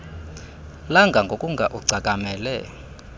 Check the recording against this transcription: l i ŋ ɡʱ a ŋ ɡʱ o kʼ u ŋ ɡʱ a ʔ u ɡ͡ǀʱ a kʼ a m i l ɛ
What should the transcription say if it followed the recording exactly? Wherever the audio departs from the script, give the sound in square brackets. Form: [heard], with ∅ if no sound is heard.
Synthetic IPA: l [a] ŋ ɡʱ a ŋ ɡʱ o kʼ u ŋ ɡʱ a ʔ u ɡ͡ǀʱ a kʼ a m [ɛ] l ɛ

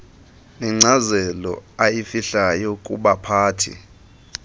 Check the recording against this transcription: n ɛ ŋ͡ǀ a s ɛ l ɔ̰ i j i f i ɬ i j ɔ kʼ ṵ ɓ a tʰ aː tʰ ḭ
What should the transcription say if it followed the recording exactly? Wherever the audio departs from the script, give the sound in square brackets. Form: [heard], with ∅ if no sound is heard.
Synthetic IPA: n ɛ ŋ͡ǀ a [z] ɛ l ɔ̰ [a] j i f i ɬ [a] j ɔ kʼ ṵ ɓ a [pʰ] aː tʰ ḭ

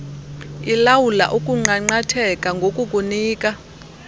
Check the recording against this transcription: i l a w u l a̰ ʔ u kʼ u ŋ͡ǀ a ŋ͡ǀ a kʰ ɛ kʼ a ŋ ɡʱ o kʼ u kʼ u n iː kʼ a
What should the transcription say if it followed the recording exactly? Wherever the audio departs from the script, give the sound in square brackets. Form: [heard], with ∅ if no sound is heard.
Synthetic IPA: i l a w u l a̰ ʔ u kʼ u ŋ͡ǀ a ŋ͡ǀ a [tʰ] ɛ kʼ a ŋ ɡʱ o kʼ u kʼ u n iː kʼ a

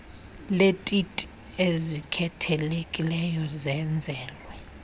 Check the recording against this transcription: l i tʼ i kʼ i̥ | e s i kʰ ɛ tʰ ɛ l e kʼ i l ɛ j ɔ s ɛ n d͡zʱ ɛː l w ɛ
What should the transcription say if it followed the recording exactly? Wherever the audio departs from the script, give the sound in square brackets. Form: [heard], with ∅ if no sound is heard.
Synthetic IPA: l [e] tʼ i [tʼ] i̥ | e [z] i kʰ ɛ tʰ ɛ l e kʼ i l ɛ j ɔ [z] ɛ n d͡zʱ ɛː l w ɛ

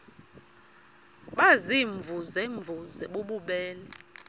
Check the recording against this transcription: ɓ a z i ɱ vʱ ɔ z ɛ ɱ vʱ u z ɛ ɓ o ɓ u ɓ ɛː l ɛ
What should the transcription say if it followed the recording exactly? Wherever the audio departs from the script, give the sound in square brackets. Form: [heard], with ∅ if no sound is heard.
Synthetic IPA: ɓ a z i ɱ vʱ [u] z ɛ ɱ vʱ u z ɛ ɓ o ɓ u ɓ ɛː l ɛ

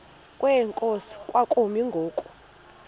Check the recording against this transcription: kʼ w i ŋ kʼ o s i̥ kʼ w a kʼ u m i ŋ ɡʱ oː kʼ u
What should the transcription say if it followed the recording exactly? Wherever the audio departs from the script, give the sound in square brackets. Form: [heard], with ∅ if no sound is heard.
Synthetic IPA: kʼ w [ɛ] ŋ kʼ o s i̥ kʼ w a kʼ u m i ŋ ɡʱ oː kʼ u

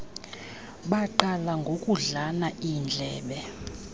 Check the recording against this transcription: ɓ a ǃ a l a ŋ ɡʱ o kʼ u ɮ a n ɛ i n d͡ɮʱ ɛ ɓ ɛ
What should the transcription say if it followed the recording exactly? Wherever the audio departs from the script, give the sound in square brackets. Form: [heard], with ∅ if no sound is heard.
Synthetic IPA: ɓ a ǃ a l a ŋ ɡʱ o kʼ u ɮ a n [a] i n d͡ɮʱ [ɛː] ɓ ɛ

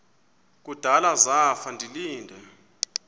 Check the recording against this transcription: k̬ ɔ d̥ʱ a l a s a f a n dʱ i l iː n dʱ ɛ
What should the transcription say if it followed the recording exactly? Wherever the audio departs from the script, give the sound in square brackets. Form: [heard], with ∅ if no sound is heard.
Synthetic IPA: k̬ [u] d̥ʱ a l a [z] a f a n dʱ i l iː n dʱ ɛ

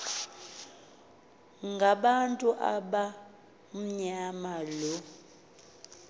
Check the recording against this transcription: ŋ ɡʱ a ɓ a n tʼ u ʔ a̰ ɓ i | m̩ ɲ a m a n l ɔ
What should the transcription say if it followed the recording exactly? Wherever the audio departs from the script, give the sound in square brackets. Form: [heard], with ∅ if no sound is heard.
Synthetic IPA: ŋ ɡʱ a ɓ a n tʼ u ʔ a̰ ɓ [a] | m̩ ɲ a m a [∅] l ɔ

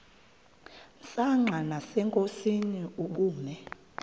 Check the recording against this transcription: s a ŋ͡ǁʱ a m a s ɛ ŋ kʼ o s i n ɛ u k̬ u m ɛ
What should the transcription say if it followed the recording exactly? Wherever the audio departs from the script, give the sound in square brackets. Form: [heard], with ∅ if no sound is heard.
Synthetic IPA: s a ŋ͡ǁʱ a [n] a s ɛ ŋ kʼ o s i n [i] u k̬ [uː] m ɛ

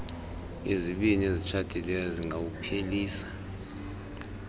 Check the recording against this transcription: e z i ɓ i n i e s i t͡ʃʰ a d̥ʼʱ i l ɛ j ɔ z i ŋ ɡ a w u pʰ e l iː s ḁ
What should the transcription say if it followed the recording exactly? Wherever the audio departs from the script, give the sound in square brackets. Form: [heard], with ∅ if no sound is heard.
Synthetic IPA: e z i ɓ i n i e [z] i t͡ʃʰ a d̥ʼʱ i l ɛ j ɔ z i ŋ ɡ a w u pʰ e l iː s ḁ

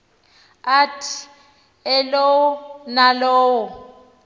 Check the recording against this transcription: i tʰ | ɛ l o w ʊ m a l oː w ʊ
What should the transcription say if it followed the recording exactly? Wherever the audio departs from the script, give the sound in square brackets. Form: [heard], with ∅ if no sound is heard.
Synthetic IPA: [a] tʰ | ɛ l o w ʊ [n] a l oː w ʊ

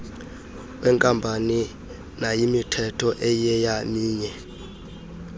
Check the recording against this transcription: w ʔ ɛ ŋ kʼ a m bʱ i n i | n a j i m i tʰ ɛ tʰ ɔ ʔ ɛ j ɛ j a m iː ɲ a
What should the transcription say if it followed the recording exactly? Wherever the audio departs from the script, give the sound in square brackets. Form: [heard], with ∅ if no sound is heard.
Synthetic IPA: w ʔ ɛ ŋ kʼ a m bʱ [a] n i | n a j i m i tʰ ɛ tʰ ɔ ʔ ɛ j ɛ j a m iː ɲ [ɛ]

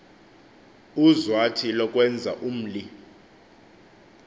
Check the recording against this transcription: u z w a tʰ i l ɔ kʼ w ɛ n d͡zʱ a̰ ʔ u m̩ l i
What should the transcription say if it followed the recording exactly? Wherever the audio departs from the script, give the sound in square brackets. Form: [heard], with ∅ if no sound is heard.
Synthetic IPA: u z w a tʰ i l ɔ kʼ w ɛ n d͡zʱ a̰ ʔ u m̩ l i

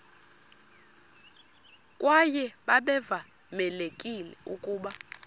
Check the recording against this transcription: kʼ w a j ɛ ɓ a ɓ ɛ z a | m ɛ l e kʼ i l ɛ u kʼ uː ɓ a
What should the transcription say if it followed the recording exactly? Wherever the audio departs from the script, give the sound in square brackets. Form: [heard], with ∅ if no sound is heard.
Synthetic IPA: kʼ w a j ɛ ɓ a ɓ ɛ [v] a | m ɛ l e kʼ i l ɛ u kʼ uː ɓ a

